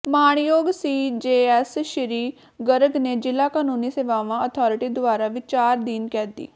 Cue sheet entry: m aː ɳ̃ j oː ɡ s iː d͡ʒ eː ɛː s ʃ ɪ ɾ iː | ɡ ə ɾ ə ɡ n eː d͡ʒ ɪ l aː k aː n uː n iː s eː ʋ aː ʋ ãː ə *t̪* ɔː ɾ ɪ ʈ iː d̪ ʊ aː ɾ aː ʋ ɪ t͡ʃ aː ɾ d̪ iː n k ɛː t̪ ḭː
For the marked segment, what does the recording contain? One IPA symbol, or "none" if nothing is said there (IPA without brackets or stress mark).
t̪ʰ